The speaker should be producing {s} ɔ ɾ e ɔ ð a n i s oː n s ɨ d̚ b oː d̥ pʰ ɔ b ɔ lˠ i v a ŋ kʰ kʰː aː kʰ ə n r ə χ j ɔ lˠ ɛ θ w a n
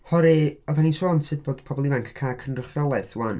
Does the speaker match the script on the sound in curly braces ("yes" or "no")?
no